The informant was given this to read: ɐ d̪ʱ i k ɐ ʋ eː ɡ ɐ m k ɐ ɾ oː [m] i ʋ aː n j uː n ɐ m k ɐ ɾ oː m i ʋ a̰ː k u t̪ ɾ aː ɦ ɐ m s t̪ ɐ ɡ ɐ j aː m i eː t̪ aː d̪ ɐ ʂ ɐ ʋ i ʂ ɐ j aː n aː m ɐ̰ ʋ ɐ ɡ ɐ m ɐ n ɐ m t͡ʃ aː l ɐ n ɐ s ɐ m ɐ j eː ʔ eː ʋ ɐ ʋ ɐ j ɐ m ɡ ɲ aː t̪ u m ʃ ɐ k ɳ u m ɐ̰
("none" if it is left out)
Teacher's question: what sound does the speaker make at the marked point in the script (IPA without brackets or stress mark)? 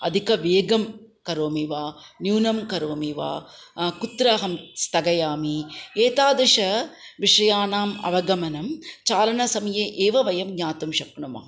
m